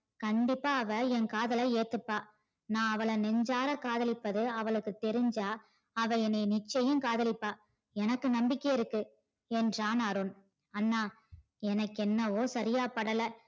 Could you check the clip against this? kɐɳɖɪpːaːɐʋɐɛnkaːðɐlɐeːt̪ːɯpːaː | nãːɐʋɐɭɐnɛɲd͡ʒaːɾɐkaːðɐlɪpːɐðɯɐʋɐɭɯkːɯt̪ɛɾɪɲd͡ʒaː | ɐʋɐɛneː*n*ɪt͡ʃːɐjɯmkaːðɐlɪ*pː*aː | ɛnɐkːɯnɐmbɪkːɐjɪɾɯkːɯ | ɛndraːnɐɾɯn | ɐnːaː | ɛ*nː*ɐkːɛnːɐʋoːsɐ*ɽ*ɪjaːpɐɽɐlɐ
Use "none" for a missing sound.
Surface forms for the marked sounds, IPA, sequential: n, pː, n, ɾ

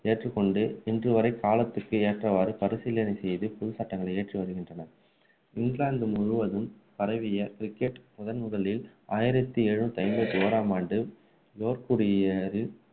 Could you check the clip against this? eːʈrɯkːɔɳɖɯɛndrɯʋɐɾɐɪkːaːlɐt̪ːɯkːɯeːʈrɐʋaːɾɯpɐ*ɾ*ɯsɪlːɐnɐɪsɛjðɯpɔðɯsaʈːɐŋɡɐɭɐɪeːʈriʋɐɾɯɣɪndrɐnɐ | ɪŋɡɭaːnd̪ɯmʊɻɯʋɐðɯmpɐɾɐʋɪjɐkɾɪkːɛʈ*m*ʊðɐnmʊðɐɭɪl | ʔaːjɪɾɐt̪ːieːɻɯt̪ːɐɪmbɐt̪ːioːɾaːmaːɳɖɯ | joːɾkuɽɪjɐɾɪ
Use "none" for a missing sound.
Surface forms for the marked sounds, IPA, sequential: ɾ, m

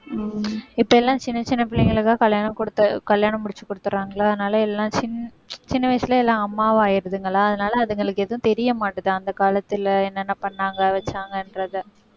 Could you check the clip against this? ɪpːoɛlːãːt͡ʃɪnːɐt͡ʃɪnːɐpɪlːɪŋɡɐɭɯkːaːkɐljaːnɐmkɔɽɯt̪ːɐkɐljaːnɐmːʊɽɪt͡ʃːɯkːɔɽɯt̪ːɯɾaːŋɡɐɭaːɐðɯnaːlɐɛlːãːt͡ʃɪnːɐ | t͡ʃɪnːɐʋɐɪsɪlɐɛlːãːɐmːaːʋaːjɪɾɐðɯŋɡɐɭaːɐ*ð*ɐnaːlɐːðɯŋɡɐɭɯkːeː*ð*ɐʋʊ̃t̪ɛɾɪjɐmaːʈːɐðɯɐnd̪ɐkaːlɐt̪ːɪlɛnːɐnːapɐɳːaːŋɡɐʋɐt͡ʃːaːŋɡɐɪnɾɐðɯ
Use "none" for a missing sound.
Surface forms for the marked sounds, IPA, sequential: ð, ð

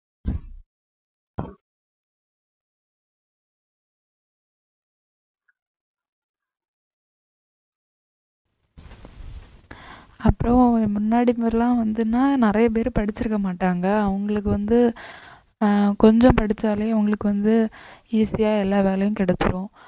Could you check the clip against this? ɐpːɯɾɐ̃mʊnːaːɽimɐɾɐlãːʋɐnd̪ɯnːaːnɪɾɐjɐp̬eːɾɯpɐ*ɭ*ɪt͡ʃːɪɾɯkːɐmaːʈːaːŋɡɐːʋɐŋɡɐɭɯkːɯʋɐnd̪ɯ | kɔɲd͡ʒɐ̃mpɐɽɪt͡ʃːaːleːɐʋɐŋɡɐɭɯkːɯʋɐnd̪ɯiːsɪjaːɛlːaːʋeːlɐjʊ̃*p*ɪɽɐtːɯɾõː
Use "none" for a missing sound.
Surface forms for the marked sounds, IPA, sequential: ɽ, k

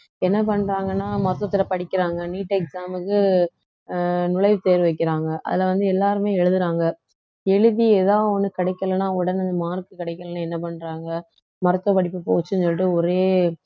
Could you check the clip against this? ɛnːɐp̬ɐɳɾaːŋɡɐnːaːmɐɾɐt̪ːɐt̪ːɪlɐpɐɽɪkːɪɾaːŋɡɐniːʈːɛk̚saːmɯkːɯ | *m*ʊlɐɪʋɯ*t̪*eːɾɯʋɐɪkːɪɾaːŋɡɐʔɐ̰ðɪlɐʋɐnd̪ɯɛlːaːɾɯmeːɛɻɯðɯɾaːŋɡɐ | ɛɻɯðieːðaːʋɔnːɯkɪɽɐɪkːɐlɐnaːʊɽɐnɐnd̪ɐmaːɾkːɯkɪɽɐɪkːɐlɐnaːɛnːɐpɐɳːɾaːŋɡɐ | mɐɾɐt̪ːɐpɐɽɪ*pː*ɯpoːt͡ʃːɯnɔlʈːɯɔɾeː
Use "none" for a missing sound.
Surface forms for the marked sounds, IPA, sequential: n, t̪, pː

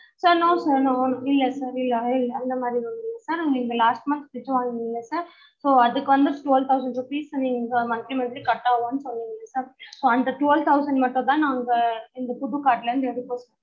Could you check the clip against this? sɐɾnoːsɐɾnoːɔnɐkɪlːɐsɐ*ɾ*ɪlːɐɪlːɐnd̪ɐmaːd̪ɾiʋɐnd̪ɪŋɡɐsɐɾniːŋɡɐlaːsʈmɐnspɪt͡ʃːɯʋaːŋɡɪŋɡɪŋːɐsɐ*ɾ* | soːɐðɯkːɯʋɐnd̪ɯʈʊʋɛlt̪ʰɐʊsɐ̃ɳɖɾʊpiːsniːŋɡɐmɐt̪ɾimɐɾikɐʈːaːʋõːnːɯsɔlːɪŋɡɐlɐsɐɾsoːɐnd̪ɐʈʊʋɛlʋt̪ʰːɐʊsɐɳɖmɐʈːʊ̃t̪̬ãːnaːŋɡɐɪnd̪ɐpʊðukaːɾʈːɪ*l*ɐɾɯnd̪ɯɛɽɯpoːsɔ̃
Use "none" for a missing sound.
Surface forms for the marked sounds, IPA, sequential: ɾ, ɾ, l

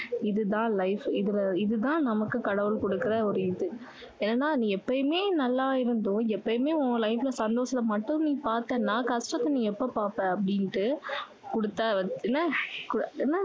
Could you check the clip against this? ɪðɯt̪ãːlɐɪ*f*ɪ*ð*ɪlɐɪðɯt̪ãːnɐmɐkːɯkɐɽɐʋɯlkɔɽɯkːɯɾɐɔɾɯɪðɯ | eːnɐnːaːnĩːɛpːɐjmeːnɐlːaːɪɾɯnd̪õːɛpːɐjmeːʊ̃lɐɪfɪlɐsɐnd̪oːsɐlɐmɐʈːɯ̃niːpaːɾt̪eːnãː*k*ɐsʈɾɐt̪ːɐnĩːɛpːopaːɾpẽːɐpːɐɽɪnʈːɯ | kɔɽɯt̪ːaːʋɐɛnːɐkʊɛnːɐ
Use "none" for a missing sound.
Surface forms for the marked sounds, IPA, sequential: f, ð, k

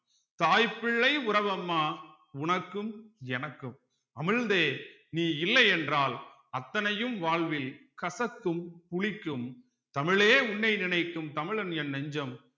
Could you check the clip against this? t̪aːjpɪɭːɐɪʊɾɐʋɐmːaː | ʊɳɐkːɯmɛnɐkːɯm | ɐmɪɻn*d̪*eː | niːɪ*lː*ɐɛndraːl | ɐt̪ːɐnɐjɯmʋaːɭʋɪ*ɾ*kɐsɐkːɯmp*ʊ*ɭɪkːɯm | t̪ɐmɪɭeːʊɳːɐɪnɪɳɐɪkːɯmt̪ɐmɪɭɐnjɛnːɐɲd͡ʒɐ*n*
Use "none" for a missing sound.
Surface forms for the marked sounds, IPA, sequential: d̪, lː, l, ʊ, m

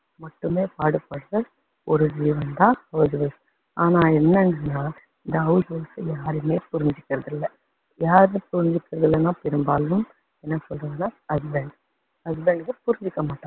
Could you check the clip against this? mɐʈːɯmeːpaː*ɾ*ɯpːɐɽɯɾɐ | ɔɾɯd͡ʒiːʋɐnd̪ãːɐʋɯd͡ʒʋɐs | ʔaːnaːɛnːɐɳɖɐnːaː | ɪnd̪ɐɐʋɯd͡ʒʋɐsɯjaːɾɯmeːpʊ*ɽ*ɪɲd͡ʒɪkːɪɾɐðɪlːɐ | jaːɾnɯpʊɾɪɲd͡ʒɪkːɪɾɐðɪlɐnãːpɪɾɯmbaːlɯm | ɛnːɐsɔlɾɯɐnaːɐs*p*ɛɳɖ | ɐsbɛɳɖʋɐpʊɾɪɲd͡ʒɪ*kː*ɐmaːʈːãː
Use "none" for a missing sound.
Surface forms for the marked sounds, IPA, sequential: ɽ, ɾ, b, kː

